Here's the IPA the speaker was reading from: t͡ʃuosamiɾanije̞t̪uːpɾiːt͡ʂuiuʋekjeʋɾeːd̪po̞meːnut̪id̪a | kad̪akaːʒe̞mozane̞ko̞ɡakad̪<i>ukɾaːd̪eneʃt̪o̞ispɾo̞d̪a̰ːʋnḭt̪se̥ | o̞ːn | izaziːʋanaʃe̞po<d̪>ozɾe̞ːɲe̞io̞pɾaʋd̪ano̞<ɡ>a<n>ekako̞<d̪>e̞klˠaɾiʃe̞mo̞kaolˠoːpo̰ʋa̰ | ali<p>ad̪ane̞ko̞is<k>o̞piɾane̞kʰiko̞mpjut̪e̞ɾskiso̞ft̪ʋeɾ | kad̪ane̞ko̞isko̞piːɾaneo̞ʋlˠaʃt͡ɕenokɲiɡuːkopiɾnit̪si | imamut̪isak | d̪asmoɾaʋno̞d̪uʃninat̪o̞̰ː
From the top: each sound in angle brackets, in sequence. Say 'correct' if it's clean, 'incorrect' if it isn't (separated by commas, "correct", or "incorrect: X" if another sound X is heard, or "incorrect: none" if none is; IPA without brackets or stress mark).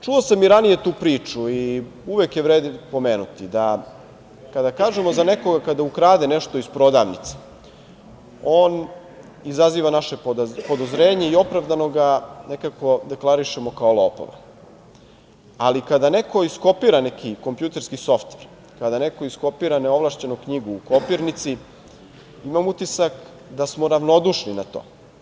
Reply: incorrect: a, correct, correct, correct, correct, incorrect: k, correct